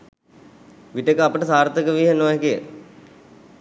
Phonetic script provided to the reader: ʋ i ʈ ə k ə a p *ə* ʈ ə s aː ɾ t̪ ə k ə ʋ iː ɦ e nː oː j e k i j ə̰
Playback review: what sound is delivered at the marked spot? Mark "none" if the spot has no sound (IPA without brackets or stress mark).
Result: ə